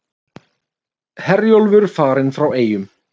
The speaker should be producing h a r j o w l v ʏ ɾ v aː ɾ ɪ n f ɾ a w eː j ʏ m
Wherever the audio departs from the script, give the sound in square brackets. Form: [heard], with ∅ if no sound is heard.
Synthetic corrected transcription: h [ɛ] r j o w l v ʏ ɾ [f] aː ɾ ɪ n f ɾ a w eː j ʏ m